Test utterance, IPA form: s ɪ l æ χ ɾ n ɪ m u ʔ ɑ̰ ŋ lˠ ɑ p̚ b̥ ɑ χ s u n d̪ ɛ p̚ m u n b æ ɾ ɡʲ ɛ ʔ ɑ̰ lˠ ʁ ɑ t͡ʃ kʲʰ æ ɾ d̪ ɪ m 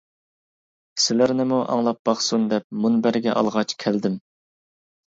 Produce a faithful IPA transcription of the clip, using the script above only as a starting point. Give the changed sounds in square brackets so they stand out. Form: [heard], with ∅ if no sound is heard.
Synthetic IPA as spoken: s ɪ l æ [∅] ɾ n ɪ m u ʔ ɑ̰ ŋ lˠ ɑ p̚ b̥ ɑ χ s u n d̪ ɛ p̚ m u n b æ ɾ ɡʲ ɛ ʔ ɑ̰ lˠ ʁ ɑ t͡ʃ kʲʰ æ [l] d̪ ɪ m